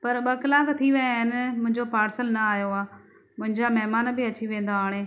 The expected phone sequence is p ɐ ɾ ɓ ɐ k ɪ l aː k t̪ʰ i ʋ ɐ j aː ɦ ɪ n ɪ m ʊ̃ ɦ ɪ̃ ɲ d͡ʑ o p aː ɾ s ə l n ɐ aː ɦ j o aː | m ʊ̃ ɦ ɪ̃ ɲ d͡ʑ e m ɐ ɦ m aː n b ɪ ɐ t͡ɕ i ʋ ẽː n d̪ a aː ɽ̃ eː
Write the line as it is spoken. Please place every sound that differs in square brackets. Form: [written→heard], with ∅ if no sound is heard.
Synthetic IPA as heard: p ɐ ɾ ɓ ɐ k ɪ l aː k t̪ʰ i ʋ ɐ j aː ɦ ɪ n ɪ m ʊ̃ ɦ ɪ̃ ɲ d͡ʑ o p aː ɾ s ə l n ɐ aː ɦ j o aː | m ʊ̃ ɦ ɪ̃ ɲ d͡ʑ [e→a] m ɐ ɦ m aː n b ɪ ɐ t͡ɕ i ʋ ẽː n d̪ a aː ɽ̃ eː